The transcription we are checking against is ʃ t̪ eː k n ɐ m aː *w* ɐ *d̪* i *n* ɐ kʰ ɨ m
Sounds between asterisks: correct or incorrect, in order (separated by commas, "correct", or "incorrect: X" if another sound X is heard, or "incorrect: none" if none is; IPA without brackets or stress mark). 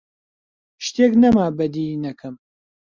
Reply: incorrect: b, correct, correct